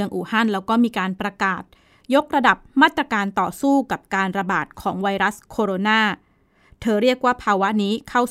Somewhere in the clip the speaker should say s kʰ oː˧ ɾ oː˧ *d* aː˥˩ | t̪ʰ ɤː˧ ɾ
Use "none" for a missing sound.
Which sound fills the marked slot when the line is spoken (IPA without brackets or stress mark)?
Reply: n